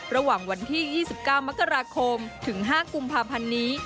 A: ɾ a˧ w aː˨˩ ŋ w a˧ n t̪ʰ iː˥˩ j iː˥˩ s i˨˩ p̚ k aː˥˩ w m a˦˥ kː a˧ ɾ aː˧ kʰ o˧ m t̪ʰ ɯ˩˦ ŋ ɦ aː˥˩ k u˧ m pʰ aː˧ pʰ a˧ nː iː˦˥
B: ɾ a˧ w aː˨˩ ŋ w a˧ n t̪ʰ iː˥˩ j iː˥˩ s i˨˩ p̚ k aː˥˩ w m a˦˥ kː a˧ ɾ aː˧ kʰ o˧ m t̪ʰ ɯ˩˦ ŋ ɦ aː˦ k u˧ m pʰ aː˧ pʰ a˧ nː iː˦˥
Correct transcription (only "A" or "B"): A